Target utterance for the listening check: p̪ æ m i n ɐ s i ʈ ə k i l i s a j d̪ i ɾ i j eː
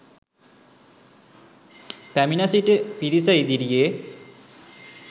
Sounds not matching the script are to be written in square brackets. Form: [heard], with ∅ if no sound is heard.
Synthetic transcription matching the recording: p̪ æ m i n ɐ s i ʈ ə [p] i [ɾ] i s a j d̪ i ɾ i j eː